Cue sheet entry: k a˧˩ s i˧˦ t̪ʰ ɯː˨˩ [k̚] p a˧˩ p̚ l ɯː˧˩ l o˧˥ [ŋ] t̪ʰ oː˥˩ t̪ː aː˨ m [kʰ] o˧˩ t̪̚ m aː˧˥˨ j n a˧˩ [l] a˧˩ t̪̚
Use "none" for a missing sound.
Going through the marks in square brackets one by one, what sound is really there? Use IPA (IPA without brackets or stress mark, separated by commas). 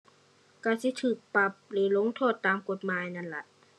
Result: k̚, ŋ, k, l